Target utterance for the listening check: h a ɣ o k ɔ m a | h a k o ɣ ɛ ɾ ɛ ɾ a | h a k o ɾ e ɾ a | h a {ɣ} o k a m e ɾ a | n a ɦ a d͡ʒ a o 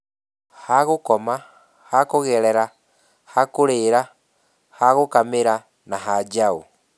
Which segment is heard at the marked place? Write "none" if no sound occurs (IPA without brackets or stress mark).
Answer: ɣ